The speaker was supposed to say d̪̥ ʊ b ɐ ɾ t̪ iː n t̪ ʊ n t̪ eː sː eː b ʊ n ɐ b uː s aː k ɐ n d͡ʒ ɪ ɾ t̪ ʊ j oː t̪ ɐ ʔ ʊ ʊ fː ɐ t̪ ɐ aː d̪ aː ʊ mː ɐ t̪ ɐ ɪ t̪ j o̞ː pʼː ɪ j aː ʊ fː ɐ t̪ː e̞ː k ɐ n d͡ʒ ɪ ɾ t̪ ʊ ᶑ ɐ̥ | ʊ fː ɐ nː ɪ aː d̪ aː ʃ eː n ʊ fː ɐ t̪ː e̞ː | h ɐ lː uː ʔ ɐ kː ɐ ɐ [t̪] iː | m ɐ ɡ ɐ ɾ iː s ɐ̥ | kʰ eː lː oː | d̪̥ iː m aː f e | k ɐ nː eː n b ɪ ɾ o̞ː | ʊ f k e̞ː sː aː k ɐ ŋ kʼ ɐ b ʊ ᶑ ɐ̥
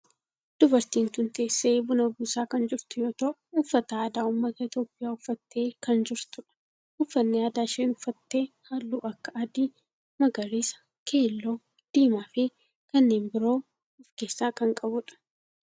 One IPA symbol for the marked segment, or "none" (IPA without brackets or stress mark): d̪